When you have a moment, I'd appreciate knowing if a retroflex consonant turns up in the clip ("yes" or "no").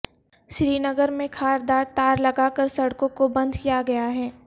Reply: yes